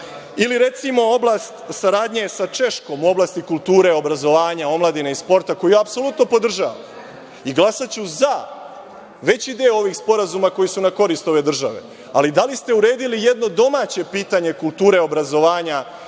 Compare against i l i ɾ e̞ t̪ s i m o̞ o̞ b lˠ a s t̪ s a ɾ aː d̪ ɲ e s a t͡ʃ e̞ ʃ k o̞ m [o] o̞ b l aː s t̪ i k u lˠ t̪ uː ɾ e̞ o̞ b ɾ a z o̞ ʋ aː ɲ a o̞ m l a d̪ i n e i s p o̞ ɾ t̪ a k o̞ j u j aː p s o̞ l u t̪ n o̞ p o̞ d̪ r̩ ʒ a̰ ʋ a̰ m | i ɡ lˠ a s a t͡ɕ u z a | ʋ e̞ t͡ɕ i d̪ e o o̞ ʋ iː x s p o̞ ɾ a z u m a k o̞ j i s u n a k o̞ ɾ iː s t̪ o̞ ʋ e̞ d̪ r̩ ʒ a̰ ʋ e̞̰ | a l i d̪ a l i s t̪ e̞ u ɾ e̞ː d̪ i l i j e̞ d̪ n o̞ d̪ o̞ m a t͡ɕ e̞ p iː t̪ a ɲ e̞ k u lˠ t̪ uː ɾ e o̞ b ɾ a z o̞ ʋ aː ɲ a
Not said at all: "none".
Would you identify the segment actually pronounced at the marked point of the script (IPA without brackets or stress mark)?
u